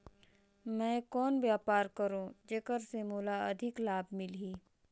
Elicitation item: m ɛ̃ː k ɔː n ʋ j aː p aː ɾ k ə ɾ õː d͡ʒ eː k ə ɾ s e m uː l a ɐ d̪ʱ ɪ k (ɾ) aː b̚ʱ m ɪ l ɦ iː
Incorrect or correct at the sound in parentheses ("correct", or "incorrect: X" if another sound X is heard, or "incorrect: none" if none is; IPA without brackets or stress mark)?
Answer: incorrect: l